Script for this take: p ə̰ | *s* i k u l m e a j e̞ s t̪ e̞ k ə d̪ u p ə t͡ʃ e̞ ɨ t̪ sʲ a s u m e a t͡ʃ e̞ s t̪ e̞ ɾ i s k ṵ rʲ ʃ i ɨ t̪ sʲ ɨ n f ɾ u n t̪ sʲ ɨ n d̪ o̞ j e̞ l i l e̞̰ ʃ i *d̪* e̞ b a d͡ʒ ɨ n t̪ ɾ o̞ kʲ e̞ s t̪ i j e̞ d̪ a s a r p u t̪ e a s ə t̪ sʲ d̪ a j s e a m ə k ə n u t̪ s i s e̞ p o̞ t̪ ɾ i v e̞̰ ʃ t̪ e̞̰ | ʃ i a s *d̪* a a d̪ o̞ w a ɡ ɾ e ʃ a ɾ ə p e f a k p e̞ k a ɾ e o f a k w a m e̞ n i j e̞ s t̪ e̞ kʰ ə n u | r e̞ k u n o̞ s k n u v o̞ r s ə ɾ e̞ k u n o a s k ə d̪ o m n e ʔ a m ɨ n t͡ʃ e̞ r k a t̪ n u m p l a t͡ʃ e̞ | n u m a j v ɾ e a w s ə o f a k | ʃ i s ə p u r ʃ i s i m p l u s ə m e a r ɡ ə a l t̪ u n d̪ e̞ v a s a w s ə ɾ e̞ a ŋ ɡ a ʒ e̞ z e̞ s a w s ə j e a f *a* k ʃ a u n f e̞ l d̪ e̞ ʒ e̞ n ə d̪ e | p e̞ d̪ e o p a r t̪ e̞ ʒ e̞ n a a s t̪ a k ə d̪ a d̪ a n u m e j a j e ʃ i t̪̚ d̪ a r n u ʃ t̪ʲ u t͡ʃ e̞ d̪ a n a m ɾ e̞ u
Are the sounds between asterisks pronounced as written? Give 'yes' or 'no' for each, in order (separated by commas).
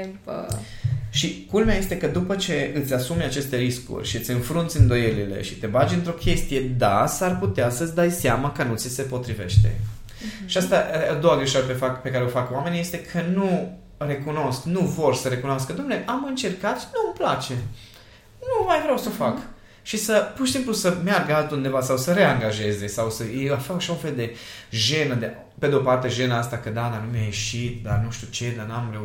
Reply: no, no, no, yes